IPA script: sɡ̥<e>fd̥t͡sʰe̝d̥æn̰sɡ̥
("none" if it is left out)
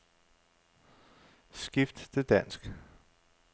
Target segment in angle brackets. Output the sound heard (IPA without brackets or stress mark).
i